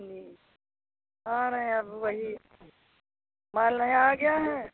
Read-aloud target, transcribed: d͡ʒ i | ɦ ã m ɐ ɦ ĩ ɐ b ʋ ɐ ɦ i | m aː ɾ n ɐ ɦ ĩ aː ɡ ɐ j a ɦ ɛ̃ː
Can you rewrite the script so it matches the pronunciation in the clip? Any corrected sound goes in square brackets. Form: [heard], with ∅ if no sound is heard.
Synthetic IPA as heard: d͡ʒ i | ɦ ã [n] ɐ ɦ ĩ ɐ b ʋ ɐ ɦ i | m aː [l] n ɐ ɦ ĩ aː ɡ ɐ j a ɦ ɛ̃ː